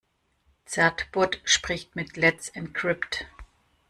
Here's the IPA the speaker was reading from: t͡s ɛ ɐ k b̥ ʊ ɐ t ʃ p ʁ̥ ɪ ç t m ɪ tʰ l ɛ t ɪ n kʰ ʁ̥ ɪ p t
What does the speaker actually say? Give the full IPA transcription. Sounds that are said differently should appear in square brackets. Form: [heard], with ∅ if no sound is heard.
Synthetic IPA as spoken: t͡s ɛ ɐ [t] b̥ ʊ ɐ t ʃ p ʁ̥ ɪ ç t m ɪ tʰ l ɛ [t͡s] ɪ n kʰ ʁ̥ ɪ p t